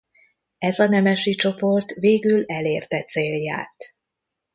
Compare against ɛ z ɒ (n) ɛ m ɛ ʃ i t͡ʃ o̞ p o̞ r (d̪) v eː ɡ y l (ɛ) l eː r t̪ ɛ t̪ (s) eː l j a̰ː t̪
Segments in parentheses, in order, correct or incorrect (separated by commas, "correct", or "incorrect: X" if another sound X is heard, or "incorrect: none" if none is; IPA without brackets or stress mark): correct, incorrect: t̪, correct, correct